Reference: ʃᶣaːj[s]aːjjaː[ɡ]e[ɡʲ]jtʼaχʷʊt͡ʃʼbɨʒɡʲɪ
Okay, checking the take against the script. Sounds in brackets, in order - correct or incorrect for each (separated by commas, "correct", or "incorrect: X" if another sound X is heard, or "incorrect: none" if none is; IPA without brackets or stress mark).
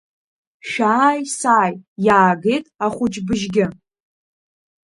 correct, correct, incorrect: none